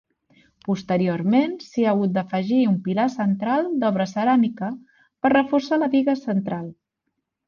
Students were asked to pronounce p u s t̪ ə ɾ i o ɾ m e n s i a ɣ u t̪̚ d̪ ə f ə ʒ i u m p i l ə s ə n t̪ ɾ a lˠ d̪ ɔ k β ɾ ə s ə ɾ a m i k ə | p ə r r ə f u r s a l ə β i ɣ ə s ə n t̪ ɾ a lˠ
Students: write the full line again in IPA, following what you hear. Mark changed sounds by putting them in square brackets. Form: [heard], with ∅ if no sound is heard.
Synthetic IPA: p u s t̪ ə ɾ i o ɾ m e n s i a ɣ u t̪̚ d̪ ə f ə ʒ i u m p i l [a] s ə n t̪ ɾ a lˠ d̪ ɔ [∅] β ɾ ə s ə ɾ a m i k ə | p ə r r ə f u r s a l ə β i ɣ ə s ə n t̪ ɾ a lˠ